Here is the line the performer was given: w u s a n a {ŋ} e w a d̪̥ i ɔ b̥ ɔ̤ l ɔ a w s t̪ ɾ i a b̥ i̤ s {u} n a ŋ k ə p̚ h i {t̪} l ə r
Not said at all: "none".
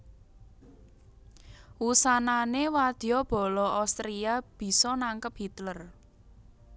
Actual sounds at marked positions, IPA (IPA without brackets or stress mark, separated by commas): n, ɔ, t̪